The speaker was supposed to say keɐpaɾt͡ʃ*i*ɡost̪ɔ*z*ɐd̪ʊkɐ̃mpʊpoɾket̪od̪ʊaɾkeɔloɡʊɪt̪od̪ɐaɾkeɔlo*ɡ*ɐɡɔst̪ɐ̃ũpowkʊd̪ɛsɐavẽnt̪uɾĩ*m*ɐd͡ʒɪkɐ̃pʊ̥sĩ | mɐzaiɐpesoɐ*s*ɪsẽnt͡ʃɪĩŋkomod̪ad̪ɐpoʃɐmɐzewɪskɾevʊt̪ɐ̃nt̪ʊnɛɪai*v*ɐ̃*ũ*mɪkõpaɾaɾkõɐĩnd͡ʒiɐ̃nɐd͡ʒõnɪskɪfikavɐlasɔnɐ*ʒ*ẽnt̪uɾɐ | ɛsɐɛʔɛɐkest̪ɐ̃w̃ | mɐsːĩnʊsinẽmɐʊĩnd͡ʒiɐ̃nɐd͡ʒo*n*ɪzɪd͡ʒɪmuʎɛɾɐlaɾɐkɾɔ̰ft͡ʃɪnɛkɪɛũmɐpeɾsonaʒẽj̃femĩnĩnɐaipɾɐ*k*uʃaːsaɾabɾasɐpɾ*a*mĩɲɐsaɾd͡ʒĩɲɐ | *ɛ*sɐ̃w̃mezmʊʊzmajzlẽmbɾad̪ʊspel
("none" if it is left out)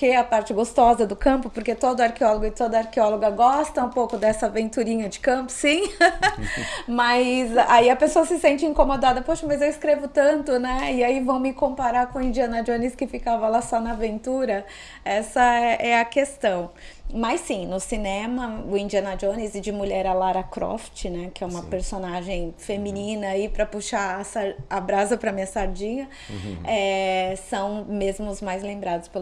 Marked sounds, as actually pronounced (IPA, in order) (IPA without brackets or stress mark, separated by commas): ɪ, z, ɡ, ɲ, s, v, w̃, v, n, p, ɐ, ɛ